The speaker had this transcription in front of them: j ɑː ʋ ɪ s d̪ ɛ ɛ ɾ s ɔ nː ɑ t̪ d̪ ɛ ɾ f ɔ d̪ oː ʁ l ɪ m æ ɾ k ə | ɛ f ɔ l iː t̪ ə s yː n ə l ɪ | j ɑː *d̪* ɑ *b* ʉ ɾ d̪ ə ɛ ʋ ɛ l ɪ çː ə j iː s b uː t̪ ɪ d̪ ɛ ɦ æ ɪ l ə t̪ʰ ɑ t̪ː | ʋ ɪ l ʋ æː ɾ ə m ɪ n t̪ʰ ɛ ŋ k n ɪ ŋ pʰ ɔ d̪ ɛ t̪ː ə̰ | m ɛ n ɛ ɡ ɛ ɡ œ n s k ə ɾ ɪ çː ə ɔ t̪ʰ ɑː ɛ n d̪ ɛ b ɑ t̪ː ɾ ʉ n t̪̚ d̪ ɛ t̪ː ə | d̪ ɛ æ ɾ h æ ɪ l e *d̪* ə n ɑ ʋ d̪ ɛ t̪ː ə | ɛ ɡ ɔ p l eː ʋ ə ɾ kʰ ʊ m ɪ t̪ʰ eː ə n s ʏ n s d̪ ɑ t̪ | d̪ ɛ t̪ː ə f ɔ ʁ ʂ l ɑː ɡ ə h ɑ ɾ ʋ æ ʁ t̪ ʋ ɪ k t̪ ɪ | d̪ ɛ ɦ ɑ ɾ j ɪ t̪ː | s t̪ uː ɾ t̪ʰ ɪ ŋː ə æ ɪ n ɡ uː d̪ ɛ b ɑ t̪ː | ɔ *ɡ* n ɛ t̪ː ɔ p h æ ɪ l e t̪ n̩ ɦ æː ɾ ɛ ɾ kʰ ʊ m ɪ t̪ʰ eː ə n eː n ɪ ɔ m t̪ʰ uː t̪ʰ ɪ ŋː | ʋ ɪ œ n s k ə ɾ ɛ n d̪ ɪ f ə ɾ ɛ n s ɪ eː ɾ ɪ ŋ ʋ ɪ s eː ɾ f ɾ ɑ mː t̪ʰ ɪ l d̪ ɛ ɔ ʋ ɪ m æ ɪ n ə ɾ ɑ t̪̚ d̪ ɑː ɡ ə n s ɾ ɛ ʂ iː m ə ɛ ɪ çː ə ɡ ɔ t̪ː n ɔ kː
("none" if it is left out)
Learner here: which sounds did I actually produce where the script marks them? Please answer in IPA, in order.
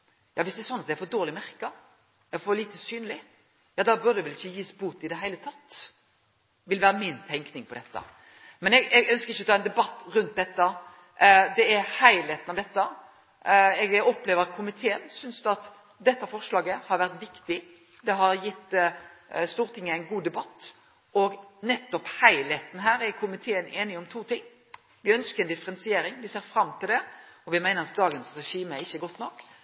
d̪, b, t̪, ɡ

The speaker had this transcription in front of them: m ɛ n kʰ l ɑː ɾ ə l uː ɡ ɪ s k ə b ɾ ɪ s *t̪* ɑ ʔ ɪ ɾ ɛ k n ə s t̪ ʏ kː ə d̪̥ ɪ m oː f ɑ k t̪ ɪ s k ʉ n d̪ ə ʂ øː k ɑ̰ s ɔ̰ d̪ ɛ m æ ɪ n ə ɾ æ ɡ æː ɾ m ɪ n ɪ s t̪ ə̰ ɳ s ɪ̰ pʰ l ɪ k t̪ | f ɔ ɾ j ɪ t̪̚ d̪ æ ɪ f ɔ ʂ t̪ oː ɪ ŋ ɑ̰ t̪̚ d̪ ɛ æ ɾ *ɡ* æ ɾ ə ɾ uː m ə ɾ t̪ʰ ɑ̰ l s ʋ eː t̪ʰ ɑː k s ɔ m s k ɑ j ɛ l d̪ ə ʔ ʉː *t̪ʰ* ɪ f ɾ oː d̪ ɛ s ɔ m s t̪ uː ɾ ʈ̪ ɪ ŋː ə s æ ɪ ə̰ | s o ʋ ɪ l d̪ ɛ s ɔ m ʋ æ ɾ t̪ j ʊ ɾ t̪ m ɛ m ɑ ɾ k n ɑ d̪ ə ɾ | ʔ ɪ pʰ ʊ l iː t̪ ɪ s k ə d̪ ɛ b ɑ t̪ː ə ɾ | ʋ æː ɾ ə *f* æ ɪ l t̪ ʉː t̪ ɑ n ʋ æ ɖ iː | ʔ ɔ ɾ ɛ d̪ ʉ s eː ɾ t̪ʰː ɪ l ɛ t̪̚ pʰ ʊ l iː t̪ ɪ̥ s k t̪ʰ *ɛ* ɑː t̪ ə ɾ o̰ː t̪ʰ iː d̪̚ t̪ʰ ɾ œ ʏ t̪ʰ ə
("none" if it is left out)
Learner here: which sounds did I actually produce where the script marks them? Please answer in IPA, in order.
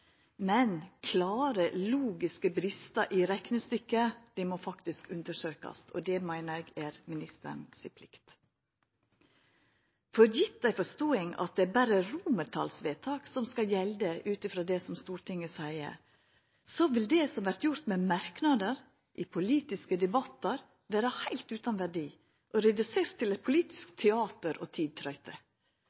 t̪, b, t̪, h, ɛ

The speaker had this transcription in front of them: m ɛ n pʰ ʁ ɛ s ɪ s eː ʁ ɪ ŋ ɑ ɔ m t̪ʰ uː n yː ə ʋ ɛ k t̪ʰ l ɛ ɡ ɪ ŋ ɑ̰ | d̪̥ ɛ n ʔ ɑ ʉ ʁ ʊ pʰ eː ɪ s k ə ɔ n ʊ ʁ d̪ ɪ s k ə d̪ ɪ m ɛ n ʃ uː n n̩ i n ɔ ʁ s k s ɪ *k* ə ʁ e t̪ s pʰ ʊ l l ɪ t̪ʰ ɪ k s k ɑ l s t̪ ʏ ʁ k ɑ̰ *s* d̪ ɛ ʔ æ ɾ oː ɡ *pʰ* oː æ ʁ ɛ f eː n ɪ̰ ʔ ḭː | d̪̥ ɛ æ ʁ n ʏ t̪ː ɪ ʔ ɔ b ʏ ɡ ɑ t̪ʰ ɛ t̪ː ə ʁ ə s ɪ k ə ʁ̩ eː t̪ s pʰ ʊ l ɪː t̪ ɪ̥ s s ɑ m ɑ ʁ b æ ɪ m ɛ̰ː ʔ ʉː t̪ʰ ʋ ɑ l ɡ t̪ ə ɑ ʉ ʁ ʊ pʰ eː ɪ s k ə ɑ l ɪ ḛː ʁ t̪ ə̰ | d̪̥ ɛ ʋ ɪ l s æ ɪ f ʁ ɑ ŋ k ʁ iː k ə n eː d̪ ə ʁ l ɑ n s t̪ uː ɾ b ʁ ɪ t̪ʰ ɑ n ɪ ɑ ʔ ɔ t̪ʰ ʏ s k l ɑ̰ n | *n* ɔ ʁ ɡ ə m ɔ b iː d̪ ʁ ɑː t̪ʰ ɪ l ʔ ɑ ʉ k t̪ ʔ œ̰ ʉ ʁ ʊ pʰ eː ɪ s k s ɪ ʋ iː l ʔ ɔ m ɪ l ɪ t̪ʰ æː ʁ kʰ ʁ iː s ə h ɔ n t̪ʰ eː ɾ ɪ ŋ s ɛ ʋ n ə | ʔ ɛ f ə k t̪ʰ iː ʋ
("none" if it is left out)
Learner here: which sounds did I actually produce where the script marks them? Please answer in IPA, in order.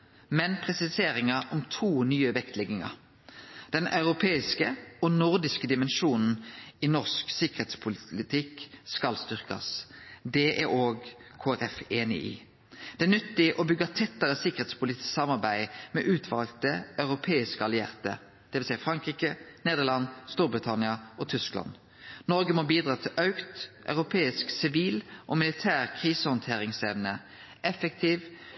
k, s, kʰ, n

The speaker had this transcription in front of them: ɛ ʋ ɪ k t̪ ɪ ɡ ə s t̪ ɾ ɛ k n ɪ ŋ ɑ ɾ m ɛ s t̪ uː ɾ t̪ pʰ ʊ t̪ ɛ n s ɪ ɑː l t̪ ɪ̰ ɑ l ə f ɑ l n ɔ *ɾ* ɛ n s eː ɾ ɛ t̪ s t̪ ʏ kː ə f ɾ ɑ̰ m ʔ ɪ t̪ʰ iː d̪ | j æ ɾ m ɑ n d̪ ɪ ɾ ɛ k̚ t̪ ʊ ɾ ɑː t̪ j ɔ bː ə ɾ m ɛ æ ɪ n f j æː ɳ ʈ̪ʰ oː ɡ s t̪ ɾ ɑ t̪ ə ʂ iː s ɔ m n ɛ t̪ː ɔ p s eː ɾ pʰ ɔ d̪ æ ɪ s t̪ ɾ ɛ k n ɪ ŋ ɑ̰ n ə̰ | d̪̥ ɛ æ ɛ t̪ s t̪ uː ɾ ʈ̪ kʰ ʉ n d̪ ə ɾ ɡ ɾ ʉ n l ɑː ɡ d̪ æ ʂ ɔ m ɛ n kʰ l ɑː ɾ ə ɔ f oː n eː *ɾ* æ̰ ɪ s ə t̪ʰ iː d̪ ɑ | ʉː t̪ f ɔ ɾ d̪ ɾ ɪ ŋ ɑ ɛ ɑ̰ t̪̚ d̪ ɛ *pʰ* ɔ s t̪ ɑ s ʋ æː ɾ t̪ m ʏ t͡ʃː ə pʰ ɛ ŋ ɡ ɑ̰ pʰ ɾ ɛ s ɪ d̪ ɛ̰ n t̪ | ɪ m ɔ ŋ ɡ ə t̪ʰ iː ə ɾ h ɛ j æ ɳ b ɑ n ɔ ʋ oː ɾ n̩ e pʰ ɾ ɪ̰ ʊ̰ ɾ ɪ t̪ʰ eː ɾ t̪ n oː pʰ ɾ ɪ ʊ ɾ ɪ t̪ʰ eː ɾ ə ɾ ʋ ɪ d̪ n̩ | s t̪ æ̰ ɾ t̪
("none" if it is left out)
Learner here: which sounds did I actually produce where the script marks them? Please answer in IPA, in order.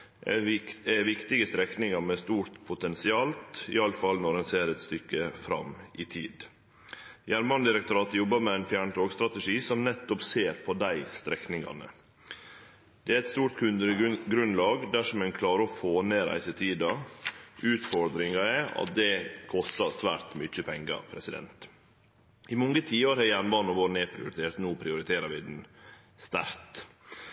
ɾ, ɾ, kʰ

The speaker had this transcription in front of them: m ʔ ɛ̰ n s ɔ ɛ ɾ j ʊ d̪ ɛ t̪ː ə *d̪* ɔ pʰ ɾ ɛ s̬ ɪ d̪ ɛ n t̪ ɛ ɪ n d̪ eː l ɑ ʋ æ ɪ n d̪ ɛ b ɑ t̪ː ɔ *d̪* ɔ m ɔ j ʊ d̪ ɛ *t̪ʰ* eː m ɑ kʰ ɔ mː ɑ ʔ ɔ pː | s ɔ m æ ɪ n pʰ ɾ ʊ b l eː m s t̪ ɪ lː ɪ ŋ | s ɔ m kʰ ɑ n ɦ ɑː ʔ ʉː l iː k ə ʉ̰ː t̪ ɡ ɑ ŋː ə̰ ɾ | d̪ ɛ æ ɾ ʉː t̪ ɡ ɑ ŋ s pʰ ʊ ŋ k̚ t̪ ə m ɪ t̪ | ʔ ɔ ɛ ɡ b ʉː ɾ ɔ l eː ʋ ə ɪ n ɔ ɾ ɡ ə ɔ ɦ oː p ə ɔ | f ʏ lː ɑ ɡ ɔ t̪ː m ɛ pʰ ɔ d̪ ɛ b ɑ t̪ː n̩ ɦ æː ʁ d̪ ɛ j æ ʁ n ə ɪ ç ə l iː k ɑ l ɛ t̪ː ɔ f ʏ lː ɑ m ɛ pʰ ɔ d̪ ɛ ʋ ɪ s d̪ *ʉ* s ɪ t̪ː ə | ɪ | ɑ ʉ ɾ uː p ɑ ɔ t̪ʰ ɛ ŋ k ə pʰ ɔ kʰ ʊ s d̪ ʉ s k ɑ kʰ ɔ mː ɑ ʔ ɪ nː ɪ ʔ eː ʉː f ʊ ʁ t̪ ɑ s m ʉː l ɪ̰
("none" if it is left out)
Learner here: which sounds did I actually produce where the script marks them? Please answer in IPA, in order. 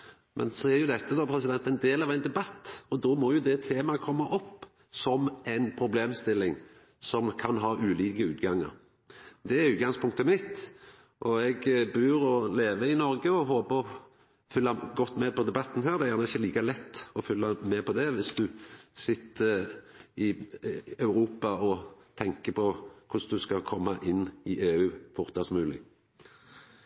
d̪, d̪, t̪ʰ, ʉ

